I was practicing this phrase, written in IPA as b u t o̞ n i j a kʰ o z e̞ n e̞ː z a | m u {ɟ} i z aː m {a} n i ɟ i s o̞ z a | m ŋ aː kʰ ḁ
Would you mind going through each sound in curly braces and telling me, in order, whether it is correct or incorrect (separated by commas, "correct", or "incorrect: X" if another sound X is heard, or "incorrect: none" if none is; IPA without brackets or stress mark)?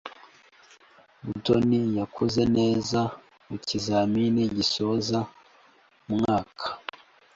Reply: incorrect: c, incorrect: i